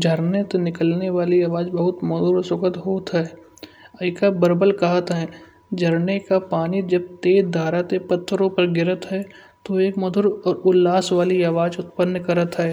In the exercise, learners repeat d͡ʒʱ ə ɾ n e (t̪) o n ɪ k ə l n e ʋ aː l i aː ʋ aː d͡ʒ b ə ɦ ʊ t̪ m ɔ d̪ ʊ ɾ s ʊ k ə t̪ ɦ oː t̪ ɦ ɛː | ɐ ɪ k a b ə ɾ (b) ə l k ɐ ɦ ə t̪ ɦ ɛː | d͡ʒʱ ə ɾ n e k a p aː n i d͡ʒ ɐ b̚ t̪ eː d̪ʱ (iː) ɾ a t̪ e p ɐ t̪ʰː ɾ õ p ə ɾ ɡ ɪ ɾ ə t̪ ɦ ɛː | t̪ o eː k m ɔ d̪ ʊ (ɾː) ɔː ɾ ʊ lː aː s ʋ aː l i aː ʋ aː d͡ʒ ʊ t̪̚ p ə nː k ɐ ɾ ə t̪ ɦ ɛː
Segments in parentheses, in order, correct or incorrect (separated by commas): correct, correct, incorrect, incorrect